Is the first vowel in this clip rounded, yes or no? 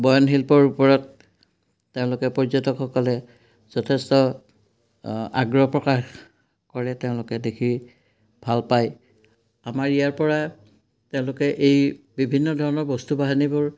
yes